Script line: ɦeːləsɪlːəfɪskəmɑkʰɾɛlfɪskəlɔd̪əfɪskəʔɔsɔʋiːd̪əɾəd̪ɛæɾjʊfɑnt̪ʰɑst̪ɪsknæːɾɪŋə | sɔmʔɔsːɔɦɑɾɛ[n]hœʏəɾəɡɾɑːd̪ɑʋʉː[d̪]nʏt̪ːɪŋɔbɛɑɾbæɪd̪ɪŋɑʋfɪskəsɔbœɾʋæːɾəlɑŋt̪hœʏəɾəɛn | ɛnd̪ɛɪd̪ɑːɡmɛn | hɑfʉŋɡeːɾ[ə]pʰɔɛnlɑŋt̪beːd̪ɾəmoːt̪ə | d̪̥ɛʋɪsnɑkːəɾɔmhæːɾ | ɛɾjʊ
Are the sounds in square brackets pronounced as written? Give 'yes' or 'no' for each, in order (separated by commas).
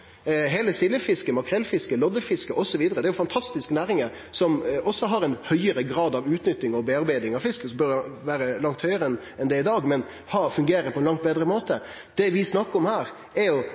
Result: yes, no, yes